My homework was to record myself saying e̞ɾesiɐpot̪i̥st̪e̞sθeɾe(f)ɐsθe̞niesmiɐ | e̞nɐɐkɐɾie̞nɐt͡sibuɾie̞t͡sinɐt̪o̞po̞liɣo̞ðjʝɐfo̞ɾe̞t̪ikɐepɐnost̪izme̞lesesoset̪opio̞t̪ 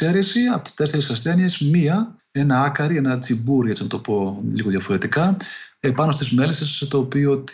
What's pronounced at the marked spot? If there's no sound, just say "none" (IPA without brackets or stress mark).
s